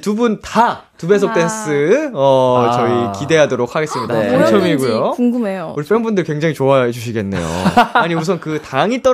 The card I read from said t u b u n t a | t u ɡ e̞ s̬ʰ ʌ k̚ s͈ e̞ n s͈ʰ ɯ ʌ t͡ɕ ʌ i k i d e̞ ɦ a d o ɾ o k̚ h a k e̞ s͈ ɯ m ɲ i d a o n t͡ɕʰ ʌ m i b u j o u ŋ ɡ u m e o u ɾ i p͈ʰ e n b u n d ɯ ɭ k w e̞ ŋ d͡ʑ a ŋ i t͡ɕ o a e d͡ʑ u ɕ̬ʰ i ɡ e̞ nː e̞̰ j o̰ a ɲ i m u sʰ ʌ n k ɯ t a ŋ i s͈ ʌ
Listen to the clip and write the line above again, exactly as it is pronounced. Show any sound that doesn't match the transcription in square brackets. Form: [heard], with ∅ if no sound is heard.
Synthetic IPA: t u b u n t a | t u [b] e̞ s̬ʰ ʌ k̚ [t͈] e̞ n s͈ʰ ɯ ʌ t͡ɕ ʌ i k i d e̞ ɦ a d o ɾ o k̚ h a [ɡ] e̞ s͈ ɯ m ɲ i d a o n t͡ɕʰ ʌ m i [ɡ] u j o u ŋ ɡ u m e o u ɾ i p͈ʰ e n b u n d ɯ ɭ k w e̞ ŋ d͡ʑ a ŋ i t͡ɕ o a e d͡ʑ u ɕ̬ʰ i ɡ e̞ nː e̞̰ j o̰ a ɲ i m u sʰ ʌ n k ɯ t a ŋ i [t͈] ʌ